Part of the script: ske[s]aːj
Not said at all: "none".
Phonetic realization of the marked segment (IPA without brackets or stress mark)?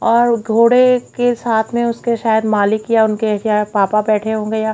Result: ʃ